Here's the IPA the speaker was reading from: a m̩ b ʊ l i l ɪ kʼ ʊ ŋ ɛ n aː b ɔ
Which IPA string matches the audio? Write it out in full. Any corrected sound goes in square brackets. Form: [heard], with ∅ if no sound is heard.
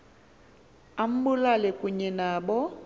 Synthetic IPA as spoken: a m̩ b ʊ l [a] l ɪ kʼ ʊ [ɲ] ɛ n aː b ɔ